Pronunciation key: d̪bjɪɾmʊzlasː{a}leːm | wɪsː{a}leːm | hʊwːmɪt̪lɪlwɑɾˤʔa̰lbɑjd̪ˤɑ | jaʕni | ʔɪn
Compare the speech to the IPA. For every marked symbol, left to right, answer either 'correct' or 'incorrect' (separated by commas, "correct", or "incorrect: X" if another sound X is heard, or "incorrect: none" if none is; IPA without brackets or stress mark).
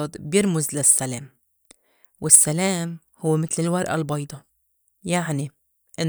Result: correct, correct